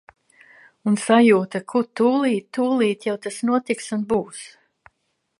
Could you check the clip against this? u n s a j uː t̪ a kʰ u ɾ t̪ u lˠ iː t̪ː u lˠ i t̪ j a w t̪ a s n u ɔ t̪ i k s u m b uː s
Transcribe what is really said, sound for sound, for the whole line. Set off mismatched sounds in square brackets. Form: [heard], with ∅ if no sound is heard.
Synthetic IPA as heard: u n s a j uː t̪ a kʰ u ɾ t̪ [uː] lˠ iː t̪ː [uː] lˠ [iː] t̪ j a w t̪ a s n u ɔ t̪ i k s u [n] b uː s